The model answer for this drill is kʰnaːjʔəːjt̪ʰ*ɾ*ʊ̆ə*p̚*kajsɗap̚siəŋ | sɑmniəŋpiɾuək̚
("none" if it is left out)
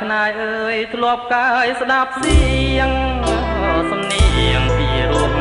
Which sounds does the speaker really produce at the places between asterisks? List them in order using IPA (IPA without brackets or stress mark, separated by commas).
l, p̚